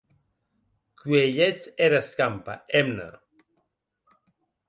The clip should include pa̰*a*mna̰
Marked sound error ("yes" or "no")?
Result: yes